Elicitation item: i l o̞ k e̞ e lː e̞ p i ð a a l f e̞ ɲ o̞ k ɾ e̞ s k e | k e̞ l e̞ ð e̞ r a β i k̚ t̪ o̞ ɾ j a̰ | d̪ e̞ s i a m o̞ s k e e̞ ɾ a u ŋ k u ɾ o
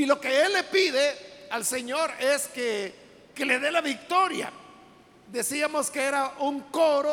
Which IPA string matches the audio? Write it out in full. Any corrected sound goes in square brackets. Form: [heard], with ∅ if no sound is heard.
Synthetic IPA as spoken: i l o̞ k e̞ e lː e̞ p i ð [e] a l [s] e̞ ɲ o̞ [∅] ɾ e̞ s k e | k e̞ l e̞ ð e̞ [l] a β i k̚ t̪ o̞ ɾ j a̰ | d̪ e̞ s i a m o̞ s k e e̞ ɾ a u ŋ k [o] ɾ o